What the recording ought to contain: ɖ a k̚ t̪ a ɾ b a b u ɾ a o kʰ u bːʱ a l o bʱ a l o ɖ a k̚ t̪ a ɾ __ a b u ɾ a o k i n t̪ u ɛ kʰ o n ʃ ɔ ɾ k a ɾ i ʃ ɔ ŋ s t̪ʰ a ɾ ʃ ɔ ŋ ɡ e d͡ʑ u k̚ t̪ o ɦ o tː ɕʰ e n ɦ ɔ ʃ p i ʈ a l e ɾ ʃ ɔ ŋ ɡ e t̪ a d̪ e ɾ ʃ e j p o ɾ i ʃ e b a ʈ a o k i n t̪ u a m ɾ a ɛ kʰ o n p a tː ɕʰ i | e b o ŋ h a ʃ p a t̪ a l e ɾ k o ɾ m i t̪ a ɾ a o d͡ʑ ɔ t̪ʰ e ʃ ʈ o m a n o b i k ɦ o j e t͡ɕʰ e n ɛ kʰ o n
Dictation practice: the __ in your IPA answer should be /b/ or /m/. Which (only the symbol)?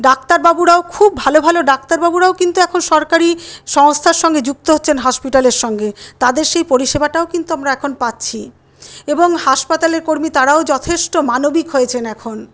b